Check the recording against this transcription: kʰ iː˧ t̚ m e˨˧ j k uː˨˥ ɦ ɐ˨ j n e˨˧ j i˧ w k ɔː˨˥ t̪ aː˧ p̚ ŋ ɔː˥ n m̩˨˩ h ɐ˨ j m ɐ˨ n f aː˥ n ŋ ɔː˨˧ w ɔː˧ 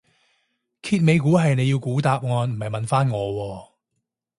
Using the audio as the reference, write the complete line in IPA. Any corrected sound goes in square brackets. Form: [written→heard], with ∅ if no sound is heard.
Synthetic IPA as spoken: kʰ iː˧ t̚ m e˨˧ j k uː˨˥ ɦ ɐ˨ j n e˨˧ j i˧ w k [ɔː˨˥→uː˨˥] t̪ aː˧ p̚ ŋ [ɔː˥→ɔː˨˧] n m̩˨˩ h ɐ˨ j m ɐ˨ n f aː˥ n ŋ ɔː˨˧ w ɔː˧